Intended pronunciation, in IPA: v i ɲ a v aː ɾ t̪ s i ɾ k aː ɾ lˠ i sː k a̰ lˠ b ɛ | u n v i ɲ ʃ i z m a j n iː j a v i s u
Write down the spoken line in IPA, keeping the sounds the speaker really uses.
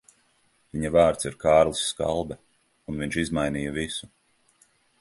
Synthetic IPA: v i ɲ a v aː ɾ t̪ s i ɾ k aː ɾ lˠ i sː k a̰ lˠ b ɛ | u n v i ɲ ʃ i z m a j n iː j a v i s u

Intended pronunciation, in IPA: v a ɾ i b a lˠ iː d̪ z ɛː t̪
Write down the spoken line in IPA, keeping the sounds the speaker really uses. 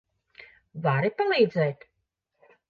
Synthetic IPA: v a ɾ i p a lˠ iː d̪ z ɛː t̪

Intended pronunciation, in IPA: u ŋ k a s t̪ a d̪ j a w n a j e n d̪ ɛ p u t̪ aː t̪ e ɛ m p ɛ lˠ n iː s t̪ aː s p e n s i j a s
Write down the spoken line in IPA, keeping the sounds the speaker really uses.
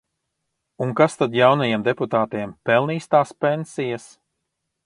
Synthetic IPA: u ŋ k a s t̪ a d̪ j a w n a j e m d̪ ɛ p u t̪ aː t̪ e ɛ m p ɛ lˠ n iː s t̪ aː s p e n s i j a s

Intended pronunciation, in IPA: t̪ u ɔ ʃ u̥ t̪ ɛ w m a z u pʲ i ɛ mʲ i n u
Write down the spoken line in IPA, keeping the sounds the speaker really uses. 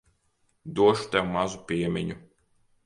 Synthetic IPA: d̪ u ɔ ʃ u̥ t̪ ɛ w m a z u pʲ i ɛ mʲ i ɲ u

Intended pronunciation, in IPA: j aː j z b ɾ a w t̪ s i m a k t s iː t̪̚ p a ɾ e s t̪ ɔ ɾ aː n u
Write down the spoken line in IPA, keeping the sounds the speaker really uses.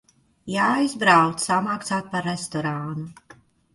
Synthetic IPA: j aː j z b ɾ a w t̪ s a m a k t s aː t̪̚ p a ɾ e s t̪ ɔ ɾ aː n u

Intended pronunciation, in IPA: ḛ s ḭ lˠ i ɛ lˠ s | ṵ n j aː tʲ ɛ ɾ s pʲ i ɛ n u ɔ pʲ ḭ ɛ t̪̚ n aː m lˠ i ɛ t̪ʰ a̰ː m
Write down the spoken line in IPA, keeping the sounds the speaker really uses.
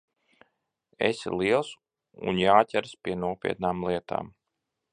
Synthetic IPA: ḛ s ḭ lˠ i ɛ lˠ s | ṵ n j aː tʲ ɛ ɾ s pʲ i ɛ n u ɔ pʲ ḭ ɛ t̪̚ n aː m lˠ i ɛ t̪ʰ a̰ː m

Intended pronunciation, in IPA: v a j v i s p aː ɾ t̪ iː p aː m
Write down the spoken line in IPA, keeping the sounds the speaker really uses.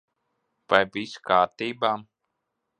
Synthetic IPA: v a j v i s k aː ɾ t̪ iː b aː m

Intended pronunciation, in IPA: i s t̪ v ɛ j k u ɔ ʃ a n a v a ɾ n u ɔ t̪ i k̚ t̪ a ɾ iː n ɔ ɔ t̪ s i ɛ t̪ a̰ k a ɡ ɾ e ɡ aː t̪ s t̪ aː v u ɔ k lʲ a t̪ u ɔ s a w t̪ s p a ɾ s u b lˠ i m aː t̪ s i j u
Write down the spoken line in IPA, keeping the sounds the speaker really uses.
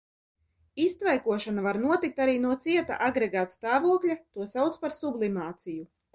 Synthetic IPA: i s t̪ v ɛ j k u ɔ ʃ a n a v a ɾ n u ɔ t̪ i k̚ t̪ a ɾ iː n u ɔ t̪ s i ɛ t̪ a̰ ʔ a ɡ ɾ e ɡ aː t̪ s t̪ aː v u ɔ k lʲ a t̪ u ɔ s a w t̪ s p a ɾ s u b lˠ i m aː t̪ s i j u

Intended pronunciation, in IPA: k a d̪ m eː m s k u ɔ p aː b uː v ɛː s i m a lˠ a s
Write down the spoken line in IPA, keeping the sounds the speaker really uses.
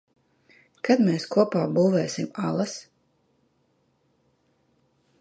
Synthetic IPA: k a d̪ m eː s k u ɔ p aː b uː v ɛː s i m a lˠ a s

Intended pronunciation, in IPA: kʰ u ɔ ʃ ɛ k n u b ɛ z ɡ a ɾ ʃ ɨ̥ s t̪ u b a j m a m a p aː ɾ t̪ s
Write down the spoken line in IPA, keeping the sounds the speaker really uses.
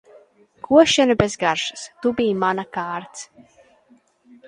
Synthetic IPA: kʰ u ɔ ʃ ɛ n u b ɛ z ɡ a ɾ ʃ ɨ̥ s t̪ u b i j m a n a k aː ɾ t̪ s

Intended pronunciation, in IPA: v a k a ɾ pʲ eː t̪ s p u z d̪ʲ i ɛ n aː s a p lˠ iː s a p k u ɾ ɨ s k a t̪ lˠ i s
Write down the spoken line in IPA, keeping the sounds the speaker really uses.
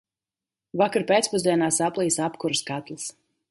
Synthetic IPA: v a k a ɾ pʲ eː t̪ s p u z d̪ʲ i ɛ n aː s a p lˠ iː s a p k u ɾ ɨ s k a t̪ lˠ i s

